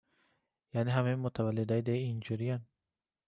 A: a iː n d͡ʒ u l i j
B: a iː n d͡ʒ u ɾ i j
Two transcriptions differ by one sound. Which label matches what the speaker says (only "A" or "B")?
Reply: B